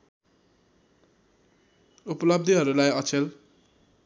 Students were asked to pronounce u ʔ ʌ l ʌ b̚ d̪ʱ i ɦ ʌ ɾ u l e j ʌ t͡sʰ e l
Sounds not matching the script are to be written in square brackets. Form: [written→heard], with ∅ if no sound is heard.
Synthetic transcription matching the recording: u [ʔ→p] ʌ l ʌ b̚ d̪ʱ i ɦ ʌ ɾ u l [e→a] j ʌ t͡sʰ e l